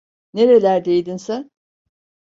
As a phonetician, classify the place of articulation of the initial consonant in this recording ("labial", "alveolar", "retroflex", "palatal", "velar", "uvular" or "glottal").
alveolar